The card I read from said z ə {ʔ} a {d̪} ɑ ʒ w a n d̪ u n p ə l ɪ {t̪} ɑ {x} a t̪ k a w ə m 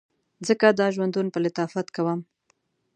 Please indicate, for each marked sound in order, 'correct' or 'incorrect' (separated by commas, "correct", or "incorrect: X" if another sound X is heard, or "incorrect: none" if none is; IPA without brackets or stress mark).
incorrect: k, correct, correct, incorrect: f